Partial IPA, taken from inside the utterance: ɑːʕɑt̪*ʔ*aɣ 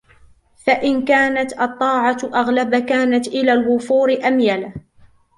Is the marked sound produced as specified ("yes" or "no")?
yes